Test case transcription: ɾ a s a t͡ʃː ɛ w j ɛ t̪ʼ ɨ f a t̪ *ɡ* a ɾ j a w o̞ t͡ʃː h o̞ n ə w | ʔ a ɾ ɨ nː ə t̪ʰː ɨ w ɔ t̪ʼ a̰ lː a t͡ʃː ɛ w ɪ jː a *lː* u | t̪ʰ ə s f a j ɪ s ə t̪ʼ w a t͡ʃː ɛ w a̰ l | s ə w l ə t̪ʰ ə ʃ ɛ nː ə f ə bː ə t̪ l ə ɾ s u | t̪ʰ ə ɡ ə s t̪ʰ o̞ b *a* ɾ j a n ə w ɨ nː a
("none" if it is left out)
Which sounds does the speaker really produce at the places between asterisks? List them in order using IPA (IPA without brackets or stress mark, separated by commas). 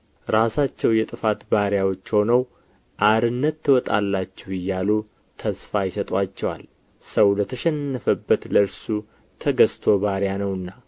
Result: b, l, a